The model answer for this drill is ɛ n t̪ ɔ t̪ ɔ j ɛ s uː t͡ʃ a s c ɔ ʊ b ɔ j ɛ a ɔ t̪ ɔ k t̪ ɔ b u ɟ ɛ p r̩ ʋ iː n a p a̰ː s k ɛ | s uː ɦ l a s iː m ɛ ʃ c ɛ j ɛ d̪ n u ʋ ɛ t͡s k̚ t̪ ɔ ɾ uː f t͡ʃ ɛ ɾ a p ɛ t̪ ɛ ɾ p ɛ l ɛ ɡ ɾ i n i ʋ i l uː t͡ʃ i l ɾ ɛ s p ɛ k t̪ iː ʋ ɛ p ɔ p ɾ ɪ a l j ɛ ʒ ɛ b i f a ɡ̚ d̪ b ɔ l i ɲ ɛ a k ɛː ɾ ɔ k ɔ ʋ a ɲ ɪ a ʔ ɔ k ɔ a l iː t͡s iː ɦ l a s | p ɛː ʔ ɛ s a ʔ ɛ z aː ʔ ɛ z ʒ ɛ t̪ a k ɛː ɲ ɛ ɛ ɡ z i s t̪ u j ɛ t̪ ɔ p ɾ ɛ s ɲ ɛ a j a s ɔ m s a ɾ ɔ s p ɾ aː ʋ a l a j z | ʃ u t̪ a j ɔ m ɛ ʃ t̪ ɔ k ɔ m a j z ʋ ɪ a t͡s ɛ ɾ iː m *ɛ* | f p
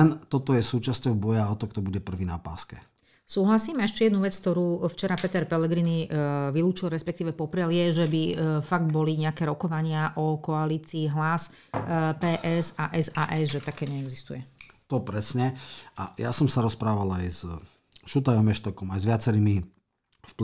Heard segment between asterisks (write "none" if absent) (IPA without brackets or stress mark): i